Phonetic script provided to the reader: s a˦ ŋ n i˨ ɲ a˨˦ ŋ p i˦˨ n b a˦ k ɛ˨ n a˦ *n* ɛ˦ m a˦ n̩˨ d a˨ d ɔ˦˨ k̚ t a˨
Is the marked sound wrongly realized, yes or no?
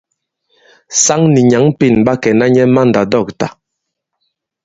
yes